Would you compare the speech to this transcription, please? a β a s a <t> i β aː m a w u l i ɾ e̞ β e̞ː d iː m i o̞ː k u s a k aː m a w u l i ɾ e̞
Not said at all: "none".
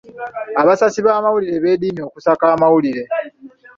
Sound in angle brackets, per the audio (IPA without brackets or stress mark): s